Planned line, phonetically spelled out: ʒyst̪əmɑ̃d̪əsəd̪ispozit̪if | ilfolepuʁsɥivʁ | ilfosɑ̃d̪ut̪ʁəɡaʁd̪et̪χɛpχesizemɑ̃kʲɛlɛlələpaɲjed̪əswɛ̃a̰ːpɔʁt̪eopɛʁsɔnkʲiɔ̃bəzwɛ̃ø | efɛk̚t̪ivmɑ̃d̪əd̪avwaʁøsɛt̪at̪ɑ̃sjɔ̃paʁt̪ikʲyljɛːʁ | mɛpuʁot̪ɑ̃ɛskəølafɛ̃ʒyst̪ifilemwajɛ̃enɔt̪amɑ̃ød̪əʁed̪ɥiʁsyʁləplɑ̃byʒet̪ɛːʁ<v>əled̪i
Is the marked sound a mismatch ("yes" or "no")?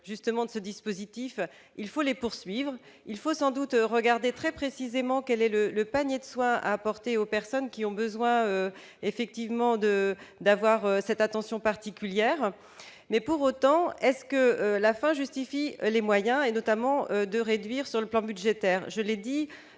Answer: yes